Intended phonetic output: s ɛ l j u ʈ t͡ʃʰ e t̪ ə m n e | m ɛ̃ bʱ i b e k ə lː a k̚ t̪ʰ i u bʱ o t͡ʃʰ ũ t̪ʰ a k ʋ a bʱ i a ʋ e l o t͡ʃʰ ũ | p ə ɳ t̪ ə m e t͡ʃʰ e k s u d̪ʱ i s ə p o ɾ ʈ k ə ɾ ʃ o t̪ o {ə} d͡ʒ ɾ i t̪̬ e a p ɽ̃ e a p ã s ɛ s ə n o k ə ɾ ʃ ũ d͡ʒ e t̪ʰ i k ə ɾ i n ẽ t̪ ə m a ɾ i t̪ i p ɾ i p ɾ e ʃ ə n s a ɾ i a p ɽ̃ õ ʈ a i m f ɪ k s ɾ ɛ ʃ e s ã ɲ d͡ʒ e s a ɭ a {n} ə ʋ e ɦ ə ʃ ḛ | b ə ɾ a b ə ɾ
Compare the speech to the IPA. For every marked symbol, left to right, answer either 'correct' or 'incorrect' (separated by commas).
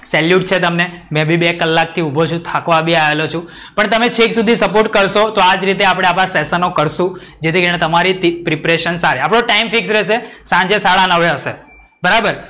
incorrect, correct